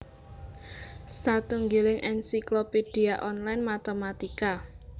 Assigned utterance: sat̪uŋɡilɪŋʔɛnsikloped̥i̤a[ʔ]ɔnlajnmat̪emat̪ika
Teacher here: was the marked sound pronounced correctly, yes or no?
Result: yes